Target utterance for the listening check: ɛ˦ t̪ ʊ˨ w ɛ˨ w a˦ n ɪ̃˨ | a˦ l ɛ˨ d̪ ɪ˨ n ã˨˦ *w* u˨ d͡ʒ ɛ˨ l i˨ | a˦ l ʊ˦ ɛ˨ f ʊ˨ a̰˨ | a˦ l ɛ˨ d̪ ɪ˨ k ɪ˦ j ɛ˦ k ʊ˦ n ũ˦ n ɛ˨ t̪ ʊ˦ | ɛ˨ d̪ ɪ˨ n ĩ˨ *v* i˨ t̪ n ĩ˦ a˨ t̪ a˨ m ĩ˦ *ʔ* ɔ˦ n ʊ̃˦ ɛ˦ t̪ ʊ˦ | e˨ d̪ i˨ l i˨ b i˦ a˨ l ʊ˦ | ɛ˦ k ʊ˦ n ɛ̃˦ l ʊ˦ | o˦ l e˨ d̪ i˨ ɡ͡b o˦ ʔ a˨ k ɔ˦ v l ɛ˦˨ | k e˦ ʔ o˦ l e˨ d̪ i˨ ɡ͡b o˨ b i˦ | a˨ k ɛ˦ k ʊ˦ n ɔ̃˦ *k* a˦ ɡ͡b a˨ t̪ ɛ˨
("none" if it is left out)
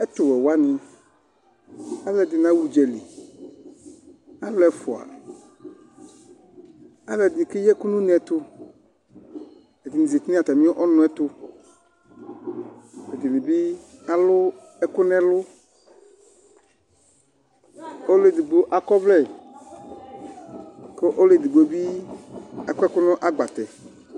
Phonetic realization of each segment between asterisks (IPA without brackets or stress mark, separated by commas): w, z, ʔ, ʔ